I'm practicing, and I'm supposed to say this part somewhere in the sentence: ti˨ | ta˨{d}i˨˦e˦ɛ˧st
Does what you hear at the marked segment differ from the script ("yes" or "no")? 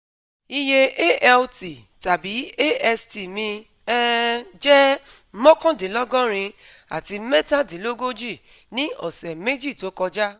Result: yes